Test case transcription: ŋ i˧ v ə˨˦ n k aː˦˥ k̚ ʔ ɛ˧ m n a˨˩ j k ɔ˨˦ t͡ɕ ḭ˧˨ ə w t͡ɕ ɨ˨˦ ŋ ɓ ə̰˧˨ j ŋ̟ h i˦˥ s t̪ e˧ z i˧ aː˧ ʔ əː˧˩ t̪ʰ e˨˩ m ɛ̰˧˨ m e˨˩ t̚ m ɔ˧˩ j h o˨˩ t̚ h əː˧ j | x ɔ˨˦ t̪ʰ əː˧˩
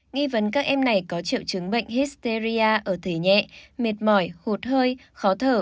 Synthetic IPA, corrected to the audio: ŋ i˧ v ə˨˦ n k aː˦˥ k̚ ʔ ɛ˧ m n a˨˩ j k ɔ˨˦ t͡ɕ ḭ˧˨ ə w t͡ɕ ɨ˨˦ ŋ ɓ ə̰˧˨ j ŋ̟ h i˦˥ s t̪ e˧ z i˧ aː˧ ʔ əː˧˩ t̪ʰ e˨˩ ɲ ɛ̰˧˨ m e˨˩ t̚ m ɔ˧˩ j h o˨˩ t̚ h əː˧ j | x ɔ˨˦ t̪ʰ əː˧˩